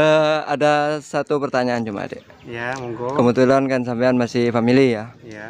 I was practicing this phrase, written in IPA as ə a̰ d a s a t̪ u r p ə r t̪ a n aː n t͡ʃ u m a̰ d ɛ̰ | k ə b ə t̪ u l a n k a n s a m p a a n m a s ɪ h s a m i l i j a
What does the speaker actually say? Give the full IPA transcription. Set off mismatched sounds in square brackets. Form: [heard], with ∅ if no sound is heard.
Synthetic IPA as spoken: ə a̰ d a s a t̪ u [∅] p ə r t̪ a [ɲ] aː n t͡ʃ u m a̰ d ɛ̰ | k ə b ə t̪ u l a n k a n s a m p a a n m a s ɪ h [f] a m i l i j a